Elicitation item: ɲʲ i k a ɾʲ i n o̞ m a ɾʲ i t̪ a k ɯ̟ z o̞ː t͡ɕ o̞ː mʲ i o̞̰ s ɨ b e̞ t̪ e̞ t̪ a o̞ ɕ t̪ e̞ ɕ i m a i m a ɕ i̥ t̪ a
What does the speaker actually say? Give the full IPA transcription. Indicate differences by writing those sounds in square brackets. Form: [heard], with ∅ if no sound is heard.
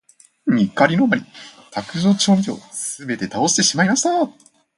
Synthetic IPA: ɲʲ i k a ɾʲ i n o̞ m a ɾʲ i t̪ a k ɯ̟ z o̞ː t͡ɕ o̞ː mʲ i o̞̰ s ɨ b e̞ t̪ e̞ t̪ a o̞ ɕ t̪ e̞ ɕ i m a i m a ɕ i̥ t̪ a

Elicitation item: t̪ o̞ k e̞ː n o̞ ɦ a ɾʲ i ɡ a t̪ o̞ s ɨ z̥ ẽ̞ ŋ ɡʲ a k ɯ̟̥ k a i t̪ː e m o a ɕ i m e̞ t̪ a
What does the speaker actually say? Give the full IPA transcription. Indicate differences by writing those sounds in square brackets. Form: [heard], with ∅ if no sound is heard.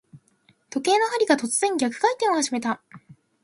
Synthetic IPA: t̪ o̞ k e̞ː n o̞ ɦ a ɾʲ i ɡ a t̪ o̞ [t͡s] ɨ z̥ ẽ̞ ŋ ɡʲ a k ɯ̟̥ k a i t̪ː e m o a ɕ i m e̞ t̪ a

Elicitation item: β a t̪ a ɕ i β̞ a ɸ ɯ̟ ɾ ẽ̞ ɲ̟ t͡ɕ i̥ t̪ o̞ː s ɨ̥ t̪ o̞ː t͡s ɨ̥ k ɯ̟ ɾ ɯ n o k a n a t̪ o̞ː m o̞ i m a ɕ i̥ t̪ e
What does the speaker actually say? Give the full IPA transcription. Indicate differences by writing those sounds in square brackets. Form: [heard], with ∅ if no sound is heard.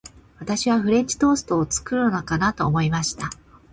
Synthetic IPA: β a t̪ a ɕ i β̞ a ɸ ɯ̟ ɾ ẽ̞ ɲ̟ t͡ɕ i̥ t̪ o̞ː s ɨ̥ t̪ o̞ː t͡s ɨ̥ k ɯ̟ ɾ ɯ n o k a n a t̪ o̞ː m o̞ i m a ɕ i̥ t̪ [a]

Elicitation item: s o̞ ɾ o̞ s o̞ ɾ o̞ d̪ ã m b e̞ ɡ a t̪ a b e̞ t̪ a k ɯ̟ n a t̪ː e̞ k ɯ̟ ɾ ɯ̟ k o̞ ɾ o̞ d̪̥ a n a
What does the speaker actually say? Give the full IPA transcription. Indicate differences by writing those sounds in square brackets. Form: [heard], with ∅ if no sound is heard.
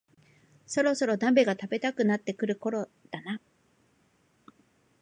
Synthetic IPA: s o̞ ɾ o̞ s o̞ ɾ o̞ d̪ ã m b e̞ ɡ a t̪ a b e̞ t̪ a k ɯ̟ n a t̪ː e̞ k ɯ̟ ɾ ɯ̟ k o̞ ɾ o̞ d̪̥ a n a

